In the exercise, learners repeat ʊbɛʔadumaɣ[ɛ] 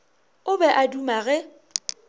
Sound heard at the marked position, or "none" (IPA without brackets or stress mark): ɛ